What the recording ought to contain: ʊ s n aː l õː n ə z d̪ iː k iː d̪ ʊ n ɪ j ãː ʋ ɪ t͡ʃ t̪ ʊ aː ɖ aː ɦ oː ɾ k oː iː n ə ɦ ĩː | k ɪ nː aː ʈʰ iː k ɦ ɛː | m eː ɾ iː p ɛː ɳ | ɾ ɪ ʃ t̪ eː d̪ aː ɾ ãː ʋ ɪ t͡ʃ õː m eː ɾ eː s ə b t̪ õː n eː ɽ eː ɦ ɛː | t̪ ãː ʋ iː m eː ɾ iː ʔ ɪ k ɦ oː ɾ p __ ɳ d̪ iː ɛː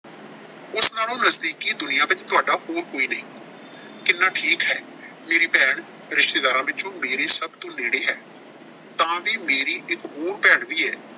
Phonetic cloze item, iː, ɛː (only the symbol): ɛː